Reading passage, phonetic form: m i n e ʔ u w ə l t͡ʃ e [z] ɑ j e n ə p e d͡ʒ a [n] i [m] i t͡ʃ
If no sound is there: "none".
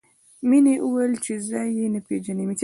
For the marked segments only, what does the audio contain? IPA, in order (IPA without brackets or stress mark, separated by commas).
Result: z, n, m